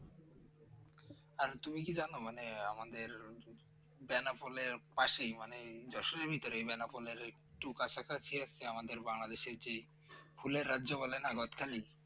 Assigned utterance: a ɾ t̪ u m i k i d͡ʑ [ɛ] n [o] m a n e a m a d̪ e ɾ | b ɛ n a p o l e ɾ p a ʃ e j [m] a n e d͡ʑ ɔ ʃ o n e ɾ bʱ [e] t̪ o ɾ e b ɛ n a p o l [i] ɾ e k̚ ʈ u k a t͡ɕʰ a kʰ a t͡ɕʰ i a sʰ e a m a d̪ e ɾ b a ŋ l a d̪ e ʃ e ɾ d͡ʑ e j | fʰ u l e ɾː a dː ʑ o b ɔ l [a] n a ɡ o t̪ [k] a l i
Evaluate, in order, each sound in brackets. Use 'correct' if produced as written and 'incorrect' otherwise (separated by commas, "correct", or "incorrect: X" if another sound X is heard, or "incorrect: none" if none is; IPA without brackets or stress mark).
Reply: incorrect: a, correct, correct, incorrect: i, incorrect: e, incorrect: e, incorrect: kʰ